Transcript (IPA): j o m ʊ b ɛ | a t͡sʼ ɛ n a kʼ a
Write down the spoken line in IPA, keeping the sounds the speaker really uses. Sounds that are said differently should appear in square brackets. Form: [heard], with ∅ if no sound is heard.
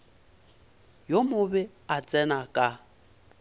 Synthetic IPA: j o m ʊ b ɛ | a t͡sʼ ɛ n a kʼ a